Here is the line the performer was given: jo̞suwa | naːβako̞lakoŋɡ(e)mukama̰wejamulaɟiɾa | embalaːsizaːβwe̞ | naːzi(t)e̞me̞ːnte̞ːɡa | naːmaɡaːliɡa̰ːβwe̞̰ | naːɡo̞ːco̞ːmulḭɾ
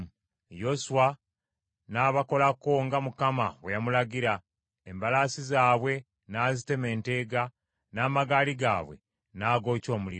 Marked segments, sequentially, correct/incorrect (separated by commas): incorrect, correct